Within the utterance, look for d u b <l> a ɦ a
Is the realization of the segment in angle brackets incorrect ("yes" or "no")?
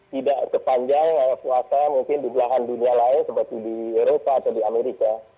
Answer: no